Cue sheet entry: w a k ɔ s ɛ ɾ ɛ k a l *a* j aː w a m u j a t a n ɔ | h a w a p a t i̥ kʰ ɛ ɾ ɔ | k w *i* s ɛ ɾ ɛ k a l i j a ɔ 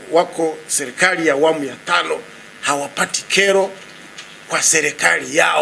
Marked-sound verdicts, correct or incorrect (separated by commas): incorrect, incorrect